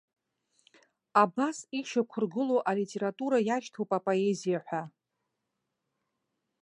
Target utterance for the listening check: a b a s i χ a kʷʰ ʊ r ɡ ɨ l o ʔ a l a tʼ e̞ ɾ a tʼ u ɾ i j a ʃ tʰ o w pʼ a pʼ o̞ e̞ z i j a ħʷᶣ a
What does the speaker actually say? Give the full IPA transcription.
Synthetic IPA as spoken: a b a s i ʃ a kʷʰ ʊ r ɡ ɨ l o ʔ a l i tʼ e̞ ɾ a tʼ u ɾ a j a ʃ tʰ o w pʼ a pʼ o̞ e̞ z i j a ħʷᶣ a